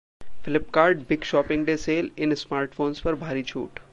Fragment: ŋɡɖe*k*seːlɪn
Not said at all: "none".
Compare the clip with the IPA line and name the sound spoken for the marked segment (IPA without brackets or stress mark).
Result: none